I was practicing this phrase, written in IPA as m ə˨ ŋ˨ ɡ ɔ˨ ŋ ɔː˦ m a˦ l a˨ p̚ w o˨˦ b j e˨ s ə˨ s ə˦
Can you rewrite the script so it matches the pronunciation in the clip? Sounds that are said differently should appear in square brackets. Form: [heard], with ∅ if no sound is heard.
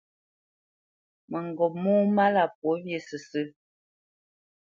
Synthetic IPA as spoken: m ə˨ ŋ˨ ɡ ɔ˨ [m] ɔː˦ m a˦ l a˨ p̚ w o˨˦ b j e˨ s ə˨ s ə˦